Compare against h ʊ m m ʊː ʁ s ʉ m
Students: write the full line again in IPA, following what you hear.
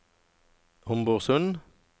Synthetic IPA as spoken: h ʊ m b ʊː ʁ s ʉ n